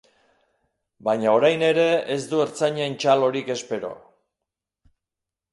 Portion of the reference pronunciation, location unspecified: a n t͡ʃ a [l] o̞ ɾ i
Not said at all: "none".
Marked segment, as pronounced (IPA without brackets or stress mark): l